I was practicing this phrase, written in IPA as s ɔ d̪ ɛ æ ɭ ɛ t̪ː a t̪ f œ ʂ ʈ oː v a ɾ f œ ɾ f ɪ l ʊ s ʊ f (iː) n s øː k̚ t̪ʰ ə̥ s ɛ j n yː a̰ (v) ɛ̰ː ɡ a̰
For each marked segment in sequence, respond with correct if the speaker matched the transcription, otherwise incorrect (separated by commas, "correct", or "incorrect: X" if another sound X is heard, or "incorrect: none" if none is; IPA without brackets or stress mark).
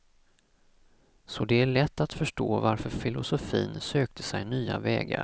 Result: correct, correct